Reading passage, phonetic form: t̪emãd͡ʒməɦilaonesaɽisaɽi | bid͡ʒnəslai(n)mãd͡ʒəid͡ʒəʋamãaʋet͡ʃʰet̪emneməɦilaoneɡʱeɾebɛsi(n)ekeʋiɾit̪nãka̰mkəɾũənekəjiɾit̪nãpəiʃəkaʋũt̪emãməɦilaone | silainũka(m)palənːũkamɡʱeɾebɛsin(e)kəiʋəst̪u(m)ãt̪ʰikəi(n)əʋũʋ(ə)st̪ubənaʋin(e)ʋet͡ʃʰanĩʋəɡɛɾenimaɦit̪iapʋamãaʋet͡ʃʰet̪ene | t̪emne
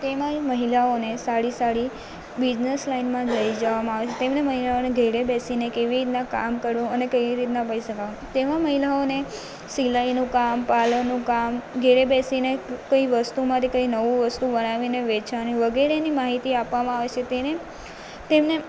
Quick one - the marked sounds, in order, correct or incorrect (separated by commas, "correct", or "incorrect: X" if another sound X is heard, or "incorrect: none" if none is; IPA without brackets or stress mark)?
correct, correct, correct, correct, correct, correct, correct, correct